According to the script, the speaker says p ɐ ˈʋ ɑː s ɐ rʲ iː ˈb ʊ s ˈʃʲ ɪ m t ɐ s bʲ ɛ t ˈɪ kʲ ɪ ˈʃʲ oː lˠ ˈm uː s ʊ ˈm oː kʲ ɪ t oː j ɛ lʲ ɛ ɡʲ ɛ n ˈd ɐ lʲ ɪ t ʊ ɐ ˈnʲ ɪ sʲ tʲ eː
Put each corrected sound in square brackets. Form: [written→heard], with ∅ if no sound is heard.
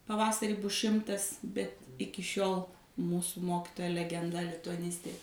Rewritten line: p ɐ ˈʋ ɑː s ɐ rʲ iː ˈb ʊ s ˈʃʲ ɪ m t ɐ s bʲ ɛ t ˈɪ kʲ ɪ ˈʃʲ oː lˠ ˈm uː s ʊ ˈm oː kʲ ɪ t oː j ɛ lʲ ɛ ɡʲ ɛ n ˈd ɐ lʲ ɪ t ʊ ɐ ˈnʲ ɪ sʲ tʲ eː